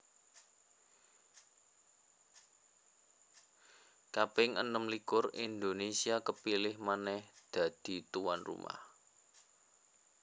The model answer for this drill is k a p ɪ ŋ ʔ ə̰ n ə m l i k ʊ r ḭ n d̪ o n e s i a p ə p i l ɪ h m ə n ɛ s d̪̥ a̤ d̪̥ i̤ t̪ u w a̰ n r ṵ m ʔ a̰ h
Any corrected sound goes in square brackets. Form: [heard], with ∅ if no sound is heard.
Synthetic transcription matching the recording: k a p ɪ ŋ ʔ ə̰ n ə m l i k ʊ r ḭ n d̪ o n e s i a [k] ə p i l ɪ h m [a] n ɛ [h] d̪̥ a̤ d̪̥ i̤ t̪ u w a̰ n r ṵ m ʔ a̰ h